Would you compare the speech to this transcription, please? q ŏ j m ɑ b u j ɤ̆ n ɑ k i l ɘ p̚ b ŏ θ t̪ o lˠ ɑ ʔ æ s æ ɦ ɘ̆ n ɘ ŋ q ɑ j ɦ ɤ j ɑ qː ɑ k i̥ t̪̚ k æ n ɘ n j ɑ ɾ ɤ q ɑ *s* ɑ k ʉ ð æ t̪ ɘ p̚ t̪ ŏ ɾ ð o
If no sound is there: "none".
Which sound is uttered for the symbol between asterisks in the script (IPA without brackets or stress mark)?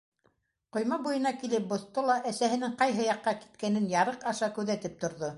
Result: ʃ